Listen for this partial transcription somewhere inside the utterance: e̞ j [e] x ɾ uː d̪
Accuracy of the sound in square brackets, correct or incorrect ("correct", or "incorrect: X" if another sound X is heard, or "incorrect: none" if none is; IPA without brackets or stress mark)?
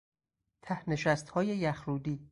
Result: incorrect: æ